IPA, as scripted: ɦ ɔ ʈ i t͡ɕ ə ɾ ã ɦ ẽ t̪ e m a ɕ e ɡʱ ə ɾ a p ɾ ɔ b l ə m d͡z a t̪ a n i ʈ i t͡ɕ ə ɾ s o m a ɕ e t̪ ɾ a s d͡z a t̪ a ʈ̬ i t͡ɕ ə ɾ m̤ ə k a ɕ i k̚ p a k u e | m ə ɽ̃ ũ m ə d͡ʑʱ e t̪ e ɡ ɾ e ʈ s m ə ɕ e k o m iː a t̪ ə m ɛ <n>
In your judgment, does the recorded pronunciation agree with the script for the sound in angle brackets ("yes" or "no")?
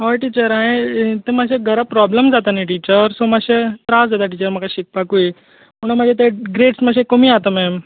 no